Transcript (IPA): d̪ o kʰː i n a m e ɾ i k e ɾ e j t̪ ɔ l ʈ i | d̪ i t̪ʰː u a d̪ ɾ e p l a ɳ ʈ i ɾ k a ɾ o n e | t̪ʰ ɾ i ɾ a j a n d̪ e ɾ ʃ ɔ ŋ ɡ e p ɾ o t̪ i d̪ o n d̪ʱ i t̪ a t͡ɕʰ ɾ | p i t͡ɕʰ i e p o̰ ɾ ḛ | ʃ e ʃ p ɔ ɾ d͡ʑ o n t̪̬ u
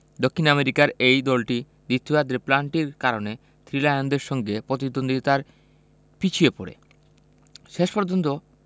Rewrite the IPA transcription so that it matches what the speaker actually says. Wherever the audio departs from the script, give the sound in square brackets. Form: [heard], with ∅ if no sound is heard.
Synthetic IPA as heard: d̪ o kʰː i n a m e ɾ i k [a] ɾ e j [d̪] ɔ l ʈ i | d̪ i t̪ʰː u a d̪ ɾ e p l a ɳ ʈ i ɾ k a ɾ o n e | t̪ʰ ɾ i [l] a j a n d̪ e ɾ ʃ ɔ ŋ ɡ e p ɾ o t̪ i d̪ o n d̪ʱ i t̪ a [∅] ɾ | p i t͡ɕʰ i e p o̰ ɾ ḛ | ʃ e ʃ p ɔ ɾ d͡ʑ o n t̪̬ [o]